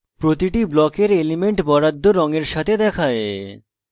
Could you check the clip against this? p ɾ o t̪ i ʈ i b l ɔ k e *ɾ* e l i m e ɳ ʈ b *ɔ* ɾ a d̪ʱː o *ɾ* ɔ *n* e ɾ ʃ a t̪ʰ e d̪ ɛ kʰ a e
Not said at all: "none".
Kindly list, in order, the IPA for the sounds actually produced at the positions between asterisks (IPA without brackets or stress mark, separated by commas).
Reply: ɾ, ɔ, ɾ, ŋ